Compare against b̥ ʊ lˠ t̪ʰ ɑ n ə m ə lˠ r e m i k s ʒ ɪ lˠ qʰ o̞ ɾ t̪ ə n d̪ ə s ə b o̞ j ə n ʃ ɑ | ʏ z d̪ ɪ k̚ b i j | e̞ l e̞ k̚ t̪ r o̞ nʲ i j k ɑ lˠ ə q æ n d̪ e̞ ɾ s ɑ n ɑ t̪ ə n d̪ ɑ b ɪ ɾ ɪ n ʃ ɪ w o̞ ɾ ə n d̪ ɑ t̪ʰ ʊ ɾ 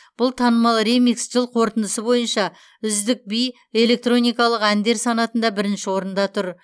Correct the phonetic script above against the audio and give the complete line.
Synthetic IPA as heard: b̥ ʊ lˠ t̪ʰ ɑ n ə m ɑ lˠ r e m i k s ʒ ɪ lˠ qʰ o̞ ɾ t̪ ə n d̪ ə s ə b o̞ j ə n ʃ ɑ | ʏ z d̪ ɪ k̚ b i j | e̞ l e̞ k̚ t̪ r o̞ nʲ i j k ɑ lˠ ə q æ n d̪ e̞ ɾ s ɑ n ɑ t̪ ə n d̪ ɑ b ɪ ɾ ɪ n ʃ ɪ w o̞ ɾ ə n d̪ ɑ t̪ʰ ʊ ɾ